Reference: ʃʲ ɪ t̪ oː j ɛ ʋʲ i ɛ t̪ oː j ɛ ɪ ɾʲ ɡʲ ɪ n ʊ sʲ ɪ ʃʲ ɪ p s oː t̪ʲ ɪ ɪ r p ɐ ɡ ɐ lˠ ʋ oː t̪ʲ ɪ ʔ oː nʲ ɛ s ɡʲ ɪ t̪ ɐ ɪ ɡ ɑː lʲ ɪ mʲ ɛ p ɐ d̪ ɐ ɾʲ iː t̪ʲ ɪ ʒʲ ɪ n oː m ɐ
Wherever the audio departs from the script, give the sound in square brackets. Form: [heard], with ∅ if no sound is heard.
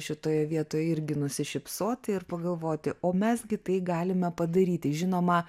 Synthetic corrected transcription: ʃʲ ɪ t̪ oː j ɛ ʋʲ i ɛ t̪ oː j ɛ ɪ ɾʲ ɡʲ ɪ n ʊ sʲ ɪ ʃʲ ɪ p s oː t̪ʲ ɪ ɪ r p ɐ ɡ ɐ lˠ ʋ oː t̪ʲ ɪ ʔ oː [mʲ] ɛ s ɡʲ ɪ t̪ ɐ ɪ ɡ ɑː lʲ ɪ mʲ ɛ p ɐ d̪ ɐ ɾʲ iː t̪ʲ ɪ ʒʲ ɪ n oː m ɐ